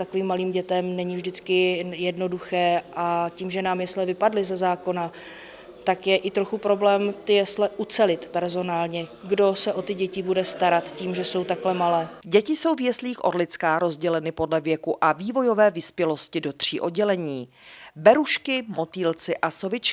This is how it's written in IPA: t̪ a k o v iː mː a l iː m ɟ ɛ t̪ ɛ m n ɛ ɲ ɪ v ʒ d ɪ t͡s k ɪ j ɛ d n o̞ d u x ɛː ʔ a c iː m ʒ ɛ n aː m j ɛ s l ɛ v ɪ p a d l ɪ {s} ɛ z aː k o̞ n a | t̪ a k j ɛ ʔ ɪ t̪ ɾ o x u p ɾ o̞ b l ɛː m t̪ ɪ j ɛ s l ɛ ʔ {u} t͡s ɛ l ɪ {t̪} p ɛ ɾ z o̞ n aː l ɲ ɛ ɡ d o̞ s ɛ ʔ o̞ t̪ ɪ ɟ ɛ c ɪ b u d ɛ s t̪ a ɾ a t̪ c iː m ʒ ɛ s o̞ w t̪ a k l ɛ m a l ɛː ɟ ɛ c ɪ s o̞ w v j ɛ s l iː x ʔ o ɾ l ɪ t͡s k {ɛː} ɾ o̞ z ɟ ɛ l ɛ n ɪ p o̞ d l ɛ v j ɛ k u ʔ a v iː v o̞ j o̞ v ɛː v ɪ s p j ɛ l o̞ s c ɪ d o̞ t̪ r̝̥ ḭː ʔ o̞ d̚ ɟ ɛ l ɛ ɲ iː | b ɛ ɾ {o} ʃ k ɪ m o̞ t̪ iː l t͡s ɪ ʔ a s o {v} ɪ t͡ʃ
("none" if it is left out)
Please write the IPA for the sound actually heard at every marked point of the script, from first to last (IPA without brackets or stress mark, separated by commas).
z, u, t̪, aː, u, v